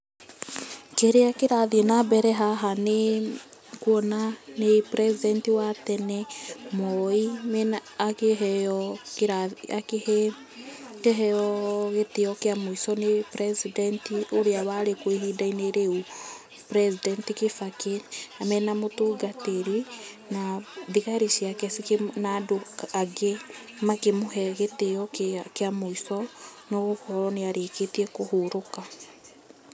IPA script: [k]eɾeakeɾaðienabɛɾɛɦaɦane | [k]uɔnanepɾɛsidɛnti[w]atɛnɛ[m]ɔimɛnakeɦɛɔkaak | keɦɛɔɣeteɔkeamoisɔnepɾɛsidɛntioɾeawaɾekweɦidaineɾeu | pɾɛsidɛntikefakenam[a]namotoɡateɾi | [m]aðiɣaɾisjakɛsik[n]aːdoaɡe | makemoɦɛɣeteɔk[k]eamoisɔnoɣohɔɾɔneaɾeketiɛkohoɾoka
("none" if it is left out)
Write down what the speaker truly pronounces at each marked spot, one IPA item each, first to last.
k, k, w, m, ɛ, n, n, k

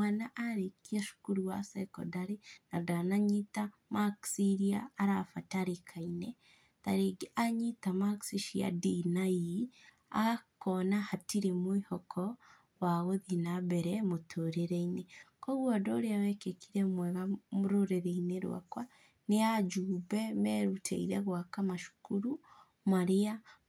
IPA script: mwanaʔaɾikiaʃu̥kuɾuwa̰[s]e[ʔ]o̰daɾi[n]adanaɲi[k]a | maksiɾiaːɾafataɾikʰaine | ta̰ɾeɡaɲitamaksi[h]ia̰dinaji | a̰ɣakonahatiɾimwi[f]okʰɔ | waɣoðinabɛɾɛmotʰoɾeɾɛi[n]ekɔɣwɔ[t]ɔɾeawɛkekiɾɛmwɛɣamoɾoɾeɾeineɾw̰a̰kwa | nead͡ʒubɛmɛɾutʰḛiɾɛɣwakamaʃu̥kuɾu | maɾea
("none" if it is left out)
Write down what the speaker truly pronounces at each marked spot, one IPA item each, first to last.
s, k, n, t, ʃ, h, n, d

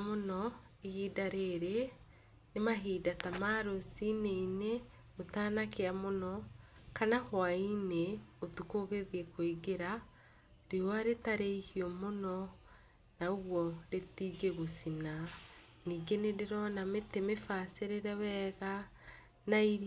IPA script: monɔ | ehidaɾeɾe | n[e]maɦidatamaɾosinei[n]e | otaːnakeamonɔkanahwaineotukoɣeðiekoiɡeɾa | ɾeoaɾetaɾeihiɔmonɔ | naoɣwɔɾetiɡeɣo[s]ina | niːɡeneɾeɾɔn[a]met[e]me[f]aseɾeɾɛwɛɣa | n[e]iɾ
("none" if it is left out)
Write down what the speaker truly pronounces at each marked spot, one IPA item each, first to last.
e, n, s, a, e, f, a

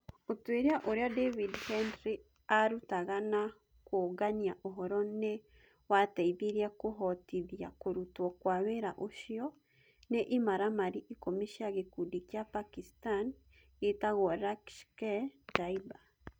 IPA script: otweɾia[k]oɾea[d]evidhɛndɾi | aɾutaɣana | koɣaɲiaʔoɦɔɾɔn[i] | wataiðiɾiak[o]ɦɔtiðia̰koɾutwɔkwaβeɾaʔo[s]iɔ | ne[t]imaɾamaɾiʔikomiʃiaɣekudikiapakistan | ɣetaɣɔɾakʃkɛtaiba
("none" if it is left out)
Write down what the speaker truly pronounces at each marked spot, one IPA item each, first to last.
ʔ, d, e, o, ʃ, ʔ

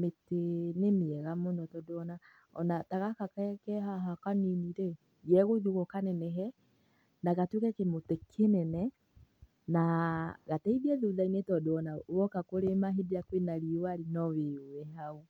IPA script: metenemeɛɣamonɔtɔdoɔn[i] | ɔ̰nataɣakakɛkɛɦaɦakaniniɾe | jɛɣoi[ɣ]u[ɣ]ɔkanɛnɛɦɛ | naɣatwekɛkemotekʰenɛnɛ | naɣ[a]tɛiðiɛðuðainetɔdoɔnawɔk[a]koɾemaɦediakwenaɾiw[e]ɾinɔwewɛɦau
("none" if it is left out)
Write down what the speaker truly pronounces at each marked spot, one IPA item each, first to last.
a, ð, ɣ, a, a, a

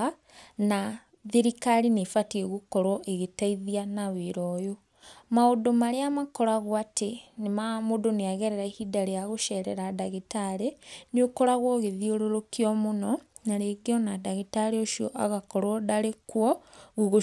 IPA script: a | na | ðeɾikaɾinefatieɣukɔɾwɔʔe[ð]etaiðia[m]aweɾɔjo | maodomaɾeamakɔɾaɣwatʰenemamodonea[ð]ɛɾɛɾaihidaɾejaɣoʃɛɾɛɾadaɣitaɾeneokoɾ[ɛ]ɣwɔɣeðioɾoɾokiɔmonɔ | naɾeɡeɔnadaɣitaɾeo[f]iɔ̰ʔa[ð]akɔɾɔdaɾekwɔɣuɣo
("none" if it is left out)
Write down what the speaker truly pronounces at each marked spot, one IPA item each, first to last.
ɣ, n, ɣ, a, ʃ, ɣ

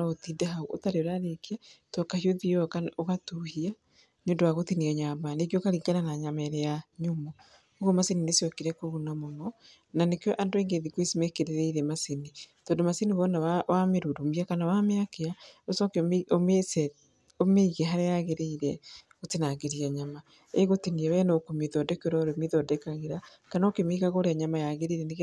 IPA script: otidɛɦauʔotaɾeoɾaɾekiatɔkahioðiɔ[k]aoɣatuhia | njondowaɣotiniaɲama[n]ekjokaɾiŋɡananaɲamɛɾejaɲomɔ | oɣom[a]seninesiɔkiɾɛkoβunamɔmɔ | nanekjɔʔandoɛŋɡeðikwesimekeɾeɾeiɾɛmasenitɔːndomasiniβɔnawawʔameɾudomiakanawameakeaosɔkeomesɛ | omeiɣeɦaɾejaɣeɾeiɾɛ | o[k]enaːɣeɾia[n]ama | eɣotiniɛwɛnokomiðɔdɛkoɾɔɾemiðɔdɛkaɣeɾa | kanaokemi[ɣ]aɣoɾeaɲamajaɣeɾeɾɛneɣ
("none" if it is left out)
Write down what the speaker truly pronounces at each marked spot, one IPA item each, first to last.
k, n, a, t, ɲ, ɣ

